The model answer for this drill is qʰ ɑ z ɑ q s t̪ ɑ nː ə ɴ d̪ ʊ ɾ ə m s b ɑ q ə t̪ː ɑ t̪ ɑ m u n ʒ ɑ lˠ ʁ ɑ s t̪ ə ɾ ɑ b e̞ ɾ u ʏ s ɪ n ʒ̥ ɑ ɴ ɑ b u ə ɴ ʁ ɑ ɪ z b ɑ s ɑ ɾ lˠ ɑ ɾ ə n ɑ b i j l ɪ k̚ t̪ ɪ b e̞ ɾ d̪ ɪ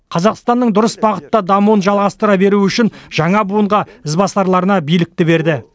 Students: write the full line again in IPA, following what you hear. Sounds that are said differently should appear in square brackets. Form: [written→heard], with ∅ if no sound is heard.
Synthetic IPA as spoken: qʰ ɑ z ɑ q s t̪ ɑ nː ə ɴ d̪ ʊ ɾ ə [m→∅] s b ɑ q ə t̪ː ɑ [t̪→d̪] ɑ m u n ʒ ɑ lˠ ʁ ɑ s t̪ ə ɾ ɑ b e̞ ɾ u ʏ [s→ʃ] ɪ n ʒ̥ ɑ ɴ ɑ b u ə ɴ ʁ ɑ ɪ z b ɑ s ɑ ɾ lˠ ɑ ɾ ə n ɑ b i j l ɪ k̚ t̪ ɪ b e̞ ɾ d̪ ɪ